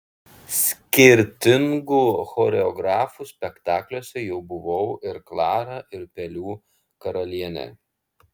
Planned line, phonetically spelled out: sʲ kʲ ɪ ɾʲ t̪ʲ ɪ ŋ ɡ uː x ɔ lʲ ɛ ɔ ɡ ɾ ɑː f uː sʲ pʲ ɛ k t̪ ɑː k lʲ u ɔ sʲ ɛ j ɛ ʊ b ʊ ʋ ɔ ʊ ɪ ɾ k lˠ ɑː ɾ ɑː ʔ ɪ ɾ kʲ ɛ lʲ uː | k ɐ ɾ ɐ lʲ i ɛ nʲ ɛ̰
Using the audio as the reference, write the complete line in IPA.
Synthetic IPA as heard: sʲ kʲ ɪ ɾʲ t̪ʲ ɪ ŋ ɡ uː x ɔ ɾʲ ɛ ɔ ɡ ɾ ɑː f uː sʲ pʲ ɛ k t̪ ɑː k lʲ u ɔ sʲ ɛ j ɛ ʊ b ʊ ʋ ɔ ʊ ɪ ɾ k lˠ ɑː ɾ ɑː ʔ ɪ ɾ pʲ ɛ lʲ uː | k ɐ ɾ ɐ lʲ i ɛ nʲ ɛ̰